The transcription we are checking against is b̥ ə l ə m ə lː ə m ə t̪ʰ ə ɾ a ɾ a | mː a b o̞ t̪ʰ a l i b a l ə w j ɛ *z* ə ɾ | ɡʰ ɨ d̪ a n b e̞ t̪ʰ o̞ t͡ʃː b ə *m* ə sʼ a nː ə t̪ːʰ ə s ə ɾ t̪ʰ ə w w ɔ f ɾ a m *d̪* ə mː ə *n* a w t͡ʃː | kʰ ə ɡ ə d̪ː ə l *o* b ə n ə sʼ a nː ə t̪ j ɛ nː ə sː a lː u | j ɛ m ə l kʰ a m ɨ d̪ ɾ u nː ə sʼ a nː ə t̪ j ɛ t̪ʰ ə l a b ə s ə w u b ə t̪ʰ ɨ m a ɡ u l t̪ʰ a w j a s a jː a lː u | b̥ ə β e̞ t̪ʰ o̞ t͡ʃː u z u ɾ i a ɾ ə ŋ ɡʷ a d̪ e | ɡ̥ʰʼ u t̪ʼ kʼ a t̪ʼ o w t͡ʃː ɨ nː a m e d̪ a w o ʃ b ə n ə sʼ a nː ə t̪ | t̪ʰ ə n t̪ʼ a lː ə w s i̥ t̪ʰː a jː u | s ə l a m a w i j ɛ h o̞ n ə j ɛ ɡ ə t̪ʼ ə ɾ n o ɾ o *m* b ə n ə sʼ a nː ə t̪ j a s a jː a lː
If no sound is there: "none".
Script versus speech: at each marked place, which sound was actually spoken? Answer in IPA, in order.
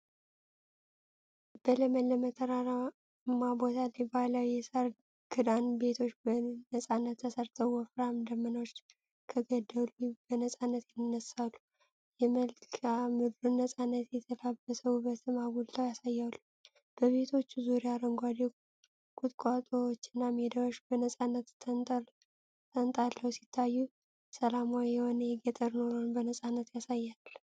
s, n, d̪, n, u, n

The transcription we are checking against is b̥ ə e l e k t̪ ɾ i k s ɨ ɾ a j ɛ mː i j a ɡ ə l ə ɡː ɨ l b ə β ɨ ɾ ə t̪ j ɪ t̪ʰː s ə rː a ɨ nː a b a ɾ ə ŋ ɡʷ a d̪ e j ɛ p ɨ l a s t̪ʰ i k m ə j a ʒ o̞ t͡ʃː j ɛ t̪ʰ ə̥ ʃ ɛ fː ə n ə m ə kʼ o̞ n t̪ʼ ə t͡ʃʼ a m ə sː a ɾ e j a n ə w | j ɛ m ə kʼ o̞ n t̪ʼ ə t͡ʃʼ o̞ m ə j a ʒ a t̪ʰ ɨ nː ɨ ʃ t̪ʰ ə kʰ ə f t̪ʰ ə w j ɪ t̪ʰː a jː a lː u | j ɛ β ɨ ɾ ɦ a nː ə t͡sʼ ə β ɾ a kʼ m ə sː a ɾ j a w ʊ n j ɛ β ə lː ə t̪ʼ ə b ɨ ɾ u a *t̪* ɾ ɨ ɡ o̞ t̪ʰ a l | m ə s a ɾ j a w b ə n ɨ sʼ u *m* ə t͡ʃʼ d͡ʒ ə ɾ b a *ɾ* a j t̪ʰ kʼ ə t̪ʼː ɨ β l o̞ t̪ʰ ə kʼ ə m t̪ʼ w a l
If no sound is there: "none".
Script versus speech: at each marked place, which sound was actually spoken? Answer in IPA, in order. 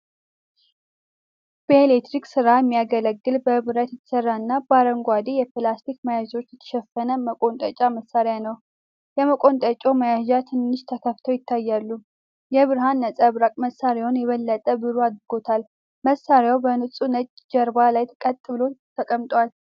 d̪, n, l

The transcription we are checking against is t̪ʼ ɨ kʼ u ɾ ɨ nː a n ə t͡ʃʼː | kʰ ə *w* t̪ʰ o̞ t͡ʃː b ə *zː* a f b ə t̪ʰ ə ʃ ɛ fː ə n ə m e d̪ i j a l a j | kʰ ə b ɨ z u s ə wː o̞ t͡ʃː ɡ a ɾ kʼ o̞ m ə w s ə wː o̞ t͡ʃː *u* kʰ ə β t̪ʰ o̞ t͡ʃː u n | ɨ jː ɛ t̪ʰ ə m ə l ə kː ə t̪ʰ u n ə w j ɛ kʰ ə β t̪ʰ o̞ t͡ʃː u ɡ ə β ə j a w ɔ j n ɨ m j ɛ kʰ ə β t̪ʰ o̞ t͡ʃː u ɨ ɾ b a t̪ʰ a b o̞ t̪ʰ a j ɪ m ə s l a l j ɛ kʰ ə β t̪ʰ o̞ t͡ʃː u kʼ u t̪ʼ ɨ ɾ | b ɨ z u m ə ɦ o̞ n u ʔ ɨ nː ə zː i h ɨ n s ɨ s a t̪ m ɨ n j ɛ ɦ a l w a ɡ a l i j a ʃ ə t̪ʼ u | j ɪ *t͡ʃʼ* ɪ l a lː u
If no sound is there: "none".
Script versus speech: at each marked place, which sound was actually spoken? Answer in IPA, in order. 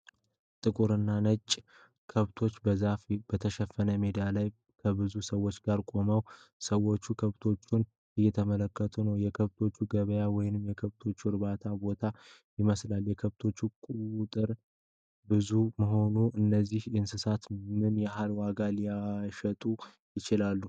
β, z, u, t͡ʃ

